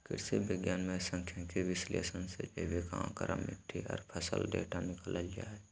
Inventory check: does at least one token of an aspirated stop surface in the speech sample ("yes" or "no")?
yes